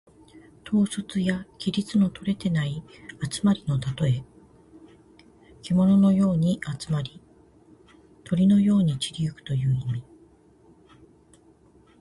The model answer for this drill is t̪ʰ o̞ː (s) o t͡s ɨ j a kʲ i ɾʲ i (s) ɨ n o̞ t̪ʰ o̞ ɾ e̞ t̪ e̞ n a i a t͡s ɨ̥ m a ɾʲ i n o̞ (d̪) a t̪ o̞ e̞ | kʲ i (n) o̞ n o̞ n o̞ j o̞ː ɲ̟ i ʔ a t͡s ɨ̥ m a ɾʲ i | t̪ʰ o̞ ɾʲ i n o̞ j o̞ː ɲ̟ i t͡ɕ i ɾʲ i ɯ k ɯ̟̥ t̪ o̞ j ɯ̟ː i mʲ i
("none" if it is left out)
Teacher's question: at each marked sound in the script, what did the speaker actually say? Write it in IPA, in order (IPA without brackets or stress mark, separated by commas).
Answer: s, t͡s, t̪, m